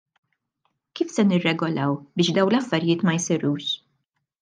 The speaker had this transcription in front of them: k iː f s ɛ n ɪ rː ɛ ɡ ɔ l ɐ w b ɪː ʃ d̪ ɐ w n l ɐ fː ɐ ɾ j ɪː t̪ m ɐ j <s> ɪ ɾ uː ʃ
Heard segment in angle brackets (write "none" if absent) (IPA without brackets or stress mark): s